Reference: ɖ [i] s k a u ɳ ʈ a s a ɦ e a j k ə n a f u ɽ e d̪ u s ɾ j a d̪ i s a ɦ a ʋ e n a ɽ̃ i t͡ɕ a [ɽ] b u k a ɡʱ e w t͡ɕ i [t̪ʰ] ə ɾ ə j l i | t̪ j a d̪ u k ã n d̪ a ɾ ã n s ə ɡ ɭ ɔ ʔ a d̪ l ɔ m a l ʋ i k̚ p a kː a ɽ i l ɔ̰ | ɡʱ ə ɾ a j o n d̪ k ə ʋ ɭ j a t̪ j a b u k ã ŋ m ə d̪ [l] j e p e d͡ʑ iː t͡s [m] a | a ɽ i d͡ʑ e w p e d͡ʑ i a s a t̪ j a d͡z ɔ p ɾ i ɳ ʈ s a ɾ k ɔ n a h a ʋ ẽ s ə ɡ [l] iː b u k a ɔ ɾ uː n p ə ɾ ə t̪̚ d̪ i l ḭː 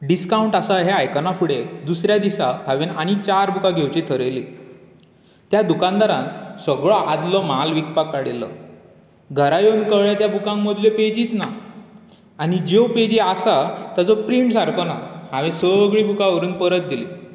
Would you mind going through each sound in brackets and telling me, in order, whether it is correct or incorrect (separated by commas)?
correct, incorrect, correct, correct, incorrect, incorrect